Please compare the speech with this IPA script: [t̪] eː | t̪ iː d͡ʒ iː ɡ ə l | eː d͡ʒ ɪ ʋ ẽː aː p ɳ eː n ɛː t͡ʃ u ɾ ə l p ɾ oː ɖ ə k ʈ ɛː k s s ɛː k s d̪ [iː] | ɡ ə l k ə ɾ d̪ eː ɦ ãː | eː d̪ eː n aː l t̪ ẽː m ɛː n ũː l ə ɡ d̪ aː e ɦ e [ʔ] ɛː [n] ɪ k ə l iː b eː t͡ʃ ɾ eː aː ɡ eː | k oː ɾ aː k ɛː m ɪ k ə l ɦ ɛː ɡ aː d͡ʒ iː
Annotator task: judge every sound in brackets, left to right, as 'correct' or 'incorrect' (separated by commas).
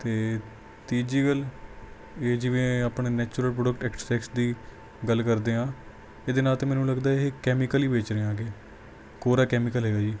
correct, correct, incorrect, incorrect